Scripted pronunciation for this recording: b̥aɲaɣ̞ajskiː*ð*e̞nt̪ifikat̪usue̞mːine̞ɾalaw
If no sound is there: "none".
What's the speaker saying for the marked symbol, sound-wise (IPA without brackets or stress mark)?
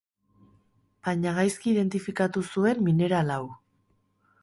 ð